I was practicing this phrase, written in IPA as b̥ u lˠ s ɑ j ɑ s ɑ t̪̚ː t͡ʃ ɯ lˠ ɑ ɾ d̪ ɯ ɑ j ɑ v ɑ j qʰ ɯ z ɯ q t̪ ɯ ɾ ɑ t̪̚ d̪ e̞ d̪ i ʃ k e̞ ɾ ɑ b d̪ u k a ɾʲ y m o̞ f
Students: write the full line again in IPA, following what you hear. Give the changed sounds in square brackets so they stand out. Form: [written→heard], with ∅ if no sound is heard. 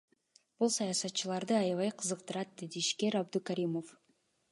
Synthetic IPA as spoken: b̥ u lˠ s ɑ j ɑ s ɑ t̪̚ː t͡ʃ ɯ lˠ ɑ ɾ d̪ ɯ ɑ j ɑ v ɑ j qʰ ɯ z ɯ q t̪ ɯ ɾ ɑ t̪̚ d̪ e̞ d̪ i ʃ k e̞ ɾ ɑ b d̪ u k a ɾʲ [y→i] m o̞ f